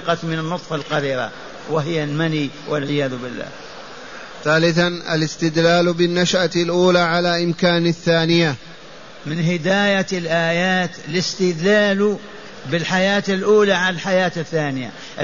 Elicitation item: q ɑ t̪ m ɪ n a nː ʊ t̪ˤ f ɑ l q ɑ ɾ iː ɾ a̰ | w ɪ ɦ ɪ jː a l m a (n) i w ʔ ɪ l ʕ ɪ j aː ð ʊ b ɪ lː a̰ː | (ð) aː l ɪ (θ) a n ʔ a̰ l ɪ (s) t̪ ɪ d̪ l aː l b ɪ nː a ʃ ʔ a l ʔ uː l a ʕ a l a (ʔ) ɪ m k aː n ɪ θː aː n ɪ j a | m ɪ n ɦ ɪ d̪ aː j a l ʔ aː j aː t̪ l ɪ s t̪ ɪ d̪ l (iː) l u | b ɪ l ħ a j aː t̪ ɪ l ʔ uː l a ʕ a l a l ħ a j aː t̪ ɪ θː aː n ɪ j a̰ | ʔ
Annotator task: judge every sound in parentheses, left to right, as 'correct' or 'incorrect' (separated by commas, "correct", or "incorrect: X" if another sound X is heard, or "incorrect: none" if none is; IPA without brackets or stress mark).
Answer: correct, incorrect: θ, correct, correct, correct, incorrect: aː